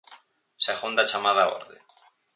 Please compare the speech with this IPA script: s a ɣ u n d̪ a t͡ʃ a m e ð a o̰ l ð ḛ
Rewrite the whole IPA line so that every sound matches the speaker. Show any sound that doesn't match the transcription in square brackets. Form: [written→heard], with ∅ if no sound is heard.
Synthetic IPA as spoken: s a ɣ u n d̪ a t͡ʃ a m [e→a] ð a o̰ [l→ɾ] ð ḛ